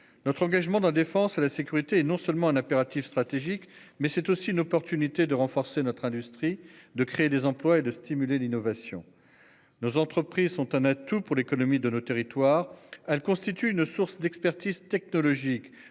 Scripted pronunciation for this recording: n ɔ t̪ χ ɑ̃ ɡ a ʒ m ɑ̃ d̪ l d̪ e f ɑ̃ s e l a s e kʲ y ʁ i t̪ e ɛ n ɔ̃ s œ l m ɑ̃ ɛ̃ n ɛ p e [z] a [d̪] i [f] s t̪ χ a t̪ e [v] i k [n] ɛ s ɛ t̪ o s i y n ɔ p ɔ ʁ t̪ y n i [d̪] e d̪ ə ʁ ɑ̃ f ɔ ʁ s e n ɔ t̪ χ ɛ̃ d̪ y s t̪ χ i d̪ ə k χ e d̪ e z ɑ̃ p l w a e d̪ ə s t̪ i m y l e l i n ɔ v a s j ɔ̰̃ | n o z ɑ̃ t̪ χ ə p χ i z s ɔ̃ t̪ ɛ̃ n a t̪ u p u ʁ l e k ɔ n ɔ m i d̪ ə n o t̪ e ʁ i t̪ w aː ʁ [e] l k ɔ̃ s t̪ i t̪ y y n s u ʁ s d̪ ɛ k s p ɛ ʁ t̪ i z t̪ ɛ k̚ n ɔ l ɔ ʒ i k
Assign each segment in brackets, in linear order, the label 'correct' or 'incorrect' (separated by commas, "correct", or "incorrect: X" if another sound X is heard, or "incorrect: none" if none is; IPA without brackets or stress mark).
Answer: incorrect: ʁ, incorrect: t̪, correct, incorrect: ʒ, incorrect: m, incorrect: t̪, incorrect: ɛ